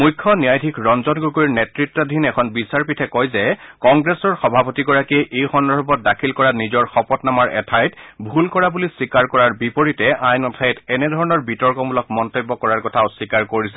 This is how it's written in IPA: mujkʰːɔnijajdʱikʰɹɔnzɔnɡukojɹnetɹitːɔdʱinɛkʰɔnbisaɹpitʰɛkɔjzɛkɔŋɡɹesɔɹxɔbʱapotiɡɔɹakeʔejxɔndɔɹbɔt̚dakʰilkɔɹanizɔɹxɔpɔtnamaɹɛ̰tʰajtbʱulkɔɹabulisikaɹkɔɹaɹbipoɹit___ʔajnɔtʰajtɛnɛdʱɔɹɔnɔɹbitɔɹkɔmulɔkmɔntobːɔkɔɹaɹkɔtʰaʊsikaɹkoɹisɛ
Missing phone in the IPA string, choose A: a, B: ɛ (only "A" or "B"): B